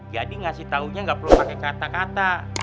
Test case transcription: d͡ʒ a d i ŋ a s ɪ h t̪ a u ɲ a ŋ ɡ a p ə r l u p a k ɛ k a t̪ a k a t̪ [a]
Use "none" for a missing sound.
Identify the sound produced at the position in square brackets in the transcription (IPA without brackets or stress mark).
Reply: a